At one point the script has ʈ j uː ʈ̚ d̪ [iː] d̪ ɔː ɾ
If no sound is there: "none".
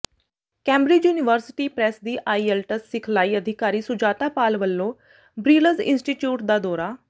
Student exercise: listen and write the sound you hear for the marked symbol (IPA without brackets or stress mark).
aː